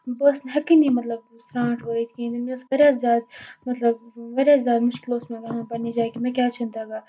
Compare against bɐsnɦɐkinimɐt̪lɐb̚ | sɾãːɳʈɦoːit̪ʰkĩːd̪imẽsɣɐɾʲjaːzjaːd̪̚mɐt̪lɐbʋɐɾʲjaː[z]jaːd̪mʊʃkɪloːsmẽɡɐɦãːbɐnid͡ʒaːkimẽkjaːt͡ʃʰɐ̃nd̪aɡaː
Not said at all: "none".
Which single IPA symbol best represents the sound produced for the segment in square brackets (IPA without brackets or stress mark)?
z